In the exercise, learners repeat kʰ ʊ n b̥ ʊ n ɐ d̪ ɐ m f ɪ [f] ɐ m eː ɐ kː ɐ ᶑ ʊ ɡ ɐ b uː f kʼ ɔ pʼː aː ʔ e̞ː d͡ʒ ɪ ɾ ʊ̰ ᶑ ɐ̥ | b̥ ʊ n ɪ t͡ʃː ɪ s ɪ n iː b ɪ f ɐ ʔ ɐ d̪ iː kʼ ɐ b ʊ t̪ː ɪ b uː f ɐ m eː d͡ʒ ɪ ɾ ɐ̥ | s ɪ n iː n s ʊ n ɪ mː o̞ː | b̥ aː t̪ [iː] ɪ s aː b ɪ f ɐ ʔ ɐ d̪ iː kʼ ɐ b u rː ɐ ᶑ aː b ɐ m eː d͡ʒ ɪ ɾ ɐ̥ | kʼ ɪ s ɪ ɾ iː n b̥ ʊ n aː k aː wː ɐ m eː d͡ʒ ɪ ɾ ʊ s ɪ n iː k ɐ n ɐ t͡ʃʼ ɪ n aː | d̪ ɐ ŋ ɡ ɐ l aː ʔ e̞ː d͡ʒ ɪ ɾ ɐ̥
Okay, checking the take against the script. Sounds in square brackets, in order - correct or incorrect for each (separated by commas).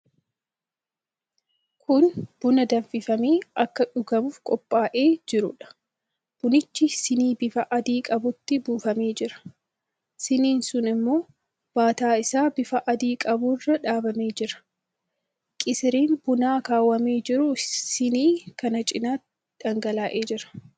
correct, incorrect